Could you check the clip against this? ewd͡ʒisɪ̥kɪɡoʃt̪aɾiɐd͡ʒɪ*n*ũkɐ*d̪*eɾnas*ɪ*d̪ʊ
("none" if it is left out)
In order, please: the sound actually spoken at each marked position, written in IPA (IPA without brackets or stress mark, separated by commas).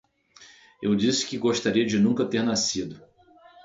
n, t̪, i